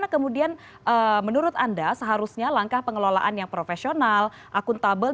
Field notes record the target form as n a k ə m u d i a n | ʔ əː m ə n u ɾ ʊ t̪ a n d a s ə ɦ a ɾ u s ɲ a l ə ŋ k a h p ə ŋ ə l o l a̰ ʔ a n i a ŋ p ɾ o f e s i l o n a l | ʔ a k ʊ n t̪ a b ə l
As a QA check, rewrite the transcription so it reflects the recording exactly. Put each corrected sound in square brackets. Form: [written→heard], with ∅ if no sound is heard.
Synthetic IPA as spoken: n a k ə m u d i a n | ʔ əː m ə n u ɾ ʊ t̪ a n d a s ə ɦ a ɾ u s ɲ a l [ə→a] ŋ k a h p ə ŋ ə l o l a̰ ʔ a n [i→j] a ŋ p ɾ o f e s i [l→∅] o n a l | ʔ a k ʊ n t̪ a b ə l